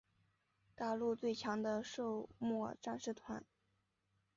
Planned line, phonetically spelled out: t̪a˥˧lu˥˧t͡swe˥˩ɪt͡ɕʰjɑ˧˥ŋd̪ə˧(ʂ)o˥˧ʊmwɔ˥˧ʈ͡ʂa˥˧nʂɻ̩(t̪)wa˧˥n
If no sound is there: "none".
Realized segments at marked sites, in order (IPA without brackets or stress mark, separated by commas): ʂ, t̪ʰ